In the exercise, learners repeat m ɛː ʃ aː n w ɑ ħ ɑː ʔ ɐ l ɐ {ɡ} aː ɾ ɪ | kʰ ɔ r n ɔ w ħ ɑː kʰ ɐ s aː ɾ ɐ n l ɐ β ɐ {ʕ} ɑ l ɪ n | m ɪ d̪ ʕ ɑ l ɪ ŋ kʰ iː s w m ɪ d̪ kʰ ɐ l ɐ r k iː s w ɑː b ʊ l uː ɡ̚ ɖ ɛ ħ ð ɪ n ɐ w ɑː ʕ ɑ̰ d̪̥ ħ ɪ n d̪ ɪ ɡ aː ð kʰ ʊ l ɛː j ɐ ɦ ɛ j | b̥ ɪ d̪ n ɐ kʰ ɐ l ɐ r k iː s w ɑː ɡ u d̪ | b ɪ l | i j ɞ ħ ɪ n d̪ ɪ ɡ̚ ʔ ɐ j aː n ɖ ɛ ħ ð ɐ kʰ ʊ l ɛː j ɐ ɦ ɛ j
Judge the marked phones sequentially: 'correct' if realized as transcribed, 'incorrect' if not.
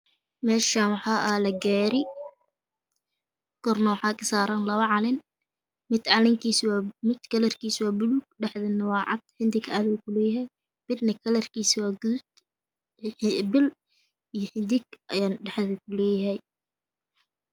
correct, correct

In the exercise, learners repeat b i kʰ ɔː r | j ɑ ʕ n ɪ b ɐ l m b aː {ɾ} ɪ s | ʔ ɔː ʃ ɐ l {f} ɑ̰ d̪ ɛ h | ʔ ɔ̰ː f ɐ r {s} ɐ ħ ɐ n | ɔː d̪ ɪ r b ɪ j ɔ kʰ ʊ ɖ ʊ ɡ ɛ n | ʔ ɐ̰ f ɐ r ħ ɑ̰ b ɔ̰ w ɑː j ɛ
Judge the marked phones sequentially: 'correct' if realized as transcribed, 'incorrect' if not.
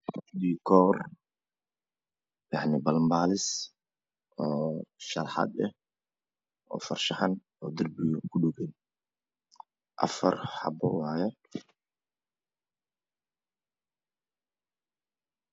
incorrect: l, incorrect: ħ, incorrect: ʃ

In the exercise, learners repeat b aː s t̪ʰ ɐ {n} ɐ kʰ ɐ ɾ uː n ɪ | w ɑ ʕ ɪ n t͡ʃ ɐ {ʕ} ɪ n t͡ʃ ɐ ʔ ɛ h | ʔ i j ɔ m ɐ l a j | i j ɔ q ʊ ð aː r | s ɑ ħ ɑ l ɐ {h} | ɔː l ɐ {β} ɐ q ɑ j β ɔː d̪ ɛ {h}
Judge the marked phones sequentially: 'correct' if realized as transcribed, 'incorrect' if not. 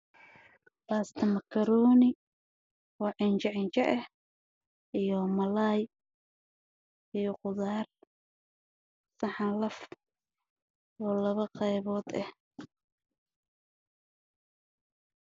incorrect: m, correct, incorrect: f, correct, correct

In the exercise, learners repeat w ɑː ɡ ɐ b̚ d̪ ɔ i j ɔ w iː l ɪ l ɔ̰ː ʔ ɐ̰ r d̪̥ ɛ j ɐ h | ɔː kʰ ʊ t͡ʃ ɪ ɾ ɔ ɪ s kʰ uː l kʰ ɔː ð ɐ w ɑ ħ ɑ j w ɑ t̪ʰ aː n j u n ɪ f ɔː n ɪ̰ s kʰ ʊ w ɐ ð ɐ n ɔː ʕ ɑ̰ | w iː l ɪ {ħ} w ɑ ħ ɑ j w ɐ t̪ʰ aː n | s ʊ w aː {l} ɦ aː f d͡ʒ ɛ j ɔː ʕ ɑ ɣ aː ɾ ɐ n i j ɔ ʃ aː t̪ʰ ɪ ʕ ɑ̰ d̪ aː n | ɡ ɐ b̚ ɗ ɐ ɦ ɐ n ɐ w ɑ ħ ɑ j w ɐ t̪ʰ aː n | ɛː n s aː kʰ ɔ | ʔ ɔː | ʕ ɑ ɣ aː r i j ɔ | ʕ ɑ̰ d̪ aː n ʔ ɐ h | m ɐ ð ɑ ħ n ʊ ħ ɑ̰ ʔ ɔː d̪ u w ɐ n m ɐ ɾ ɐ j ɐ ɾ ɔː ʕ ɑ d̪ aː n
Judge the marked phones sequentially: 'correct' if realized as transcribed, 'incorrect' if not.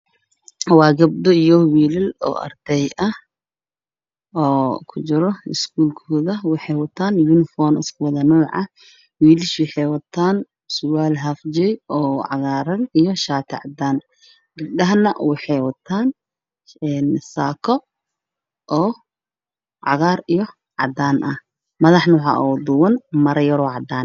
incorrect: ʃ, correct

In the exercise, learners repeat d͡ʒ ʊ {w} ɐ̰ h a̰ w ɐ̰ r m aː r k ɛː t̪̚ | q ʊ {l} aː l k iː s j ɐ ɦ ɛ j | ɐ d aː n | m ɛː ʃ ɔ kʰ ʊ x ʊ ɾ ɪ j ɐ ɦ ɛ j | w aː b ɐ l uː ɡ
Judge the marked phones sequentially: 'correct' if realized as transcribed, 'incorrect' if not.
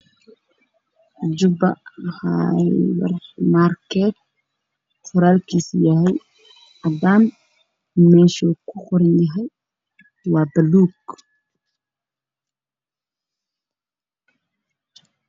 incorrect: b, incorrect: ɾ

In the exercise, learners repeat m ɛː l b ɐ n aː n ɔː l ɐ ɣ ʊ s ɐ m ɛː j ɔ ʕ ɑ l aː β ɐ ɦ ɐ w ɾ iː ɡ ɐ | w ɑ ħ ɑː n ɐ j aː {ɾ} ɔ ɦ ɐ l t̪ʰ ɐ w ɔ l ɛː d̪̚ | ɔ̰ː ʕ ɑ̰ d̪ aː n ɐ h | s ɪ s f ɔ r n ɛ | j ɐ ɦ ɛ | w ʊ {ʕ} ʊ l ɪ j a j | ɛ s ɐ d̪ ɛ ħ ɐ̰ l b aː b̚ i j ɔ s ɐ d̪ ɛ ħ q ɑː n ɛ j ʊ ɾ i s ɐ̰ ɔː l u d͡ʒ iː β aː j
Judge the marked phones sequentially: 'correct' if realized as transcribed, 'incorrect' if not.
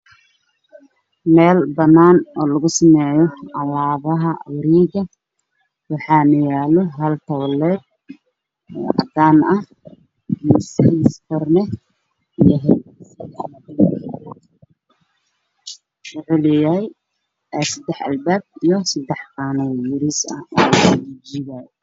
incorrect: l, correct

